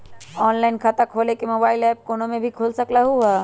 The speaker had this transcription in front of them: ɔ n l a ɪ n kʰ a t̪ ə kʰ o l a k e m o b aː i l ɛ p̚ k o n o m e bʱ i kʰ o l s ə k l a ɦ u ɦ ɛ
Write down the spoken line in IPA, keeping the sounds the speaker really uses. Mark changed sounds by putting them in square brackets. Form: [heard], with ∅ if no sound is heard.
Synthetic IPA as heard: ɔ n l a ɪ n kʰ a t̪ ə kʰ o l [e] k e m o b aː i l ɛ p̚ k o n o m e bʱ i kʰ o l s ə k l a ɦ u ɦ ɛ